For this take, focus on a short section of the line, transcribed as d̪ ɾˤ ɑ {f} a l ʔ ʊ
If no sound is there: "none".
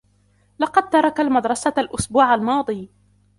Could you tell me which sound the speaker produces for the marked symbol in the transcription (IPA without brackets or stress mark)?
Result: s